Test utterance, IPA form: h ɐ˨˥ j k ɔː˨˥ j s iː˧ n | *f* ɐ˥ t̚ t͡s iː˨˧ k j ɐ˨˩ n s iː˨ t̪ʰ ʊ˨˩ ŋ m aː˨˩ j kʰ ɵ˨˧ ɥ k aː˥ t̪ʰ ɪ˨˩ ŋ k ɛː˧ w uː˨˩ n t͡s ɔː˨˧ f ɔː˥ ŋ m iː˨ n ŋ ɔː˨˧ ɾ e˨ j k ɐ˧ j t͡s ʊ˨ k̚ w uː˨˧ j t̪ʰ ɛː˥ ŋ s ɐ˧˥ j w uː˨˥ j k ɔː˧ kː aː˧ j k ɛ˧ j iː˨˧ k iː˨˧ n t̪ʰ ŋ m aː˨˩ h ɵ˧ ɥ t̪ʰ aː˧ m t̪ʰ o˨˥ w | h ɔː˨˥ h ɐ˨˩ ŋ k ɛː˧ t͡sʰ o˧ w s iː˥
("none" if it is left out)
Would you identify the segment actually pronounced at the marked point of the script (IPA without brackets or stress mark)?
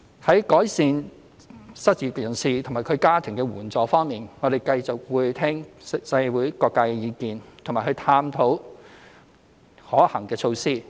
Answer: s